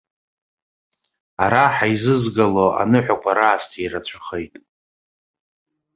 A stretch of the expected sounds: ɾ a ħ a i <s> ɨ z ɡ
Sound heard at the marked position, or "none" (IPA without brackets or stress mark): z